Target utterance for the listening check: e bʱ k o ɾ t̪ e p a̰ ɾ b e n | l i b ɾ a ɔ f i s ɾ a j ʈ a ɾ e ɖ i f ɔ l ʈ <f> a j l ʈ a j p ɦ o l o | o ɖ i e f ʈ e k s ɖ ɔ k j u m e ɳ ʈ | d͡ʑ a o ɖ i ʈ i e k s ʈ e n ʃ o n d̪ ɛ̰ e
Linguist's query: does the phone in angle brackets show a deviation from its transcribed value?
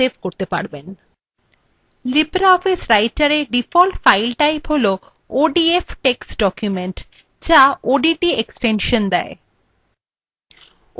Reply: no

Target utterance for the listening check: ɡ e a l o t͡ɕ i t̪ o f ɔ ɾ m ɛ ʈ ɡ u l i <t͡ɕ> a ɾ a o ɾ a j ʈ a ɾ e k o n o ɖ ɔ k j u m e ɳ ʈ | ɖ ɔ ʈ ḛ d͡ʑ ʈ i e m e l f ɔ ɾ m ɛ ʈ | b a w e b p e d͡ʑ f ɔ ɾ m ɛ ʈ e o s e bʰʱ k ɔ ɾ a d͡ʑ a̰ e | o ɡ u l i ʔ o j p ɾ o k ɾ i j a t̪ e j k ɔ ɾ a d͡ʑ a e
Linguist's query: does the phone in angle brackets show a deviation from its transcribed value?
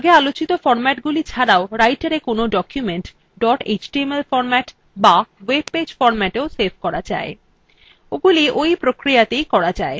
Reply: yes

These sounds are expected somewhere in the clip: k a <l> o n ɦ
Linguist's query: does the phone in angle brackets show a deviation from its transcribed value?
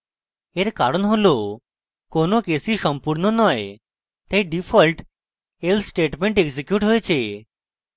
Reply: yes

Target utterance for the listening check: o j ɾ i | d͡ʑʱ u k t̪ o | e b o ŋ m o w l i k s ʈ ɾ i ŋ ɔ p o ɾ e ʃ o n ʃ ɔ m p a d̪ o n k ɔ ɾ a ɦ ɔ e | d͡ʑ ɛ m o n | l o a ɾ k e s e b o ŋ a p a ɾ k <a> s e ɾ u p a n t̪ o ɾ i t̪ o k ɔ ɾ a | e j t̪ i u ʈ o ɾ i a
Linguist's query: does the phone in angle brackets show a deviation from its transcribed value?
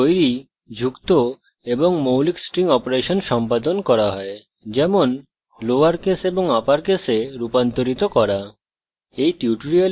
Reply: yes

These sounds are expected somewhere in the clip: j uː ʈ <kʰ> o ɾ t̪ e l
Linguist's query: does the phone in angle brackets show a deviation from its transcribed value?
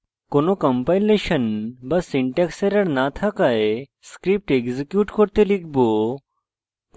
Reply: yes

